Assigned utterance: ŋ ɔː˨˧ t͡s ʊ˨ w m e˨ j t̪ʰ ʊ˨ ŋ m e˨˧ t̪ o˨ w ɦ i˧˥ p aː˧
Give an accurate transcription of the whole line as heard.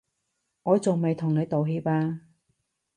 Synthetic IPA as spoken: ŋ ɔː˨˧ t͡s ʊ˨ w m e˨ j t̪ʰ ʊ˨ ŋ n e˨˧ t̪ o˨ w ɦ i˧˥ p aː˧